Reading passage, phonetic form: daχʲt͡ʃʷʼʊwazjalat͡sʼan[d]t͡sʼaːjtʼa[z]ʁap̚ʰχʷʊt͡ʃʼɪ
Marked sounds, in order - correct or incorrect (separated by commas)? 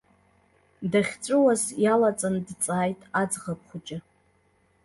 correct, incorrect